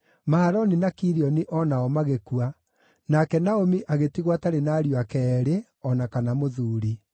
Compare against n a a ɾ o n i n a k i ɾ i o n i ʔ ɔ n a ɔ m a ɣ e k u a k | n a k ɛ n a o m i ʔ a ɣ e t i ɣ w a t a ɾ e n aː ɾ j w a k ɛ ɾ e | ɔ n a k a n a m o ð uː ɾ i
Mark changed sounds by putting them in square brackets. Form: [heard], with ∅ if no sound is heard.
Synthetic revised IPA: [m] a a ɾ [ɔ] n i n a k i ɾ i [ɔ] n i ʔ ɔ n a ɔ m a ɣ e k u a [∅] | n a k ɛ n a o m i ʔ a ɣ e t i ɣ w a t a ɾ e n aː ɾ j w a k ɛ ɾ e | ɔ n a k a n a m o ð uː ɾ i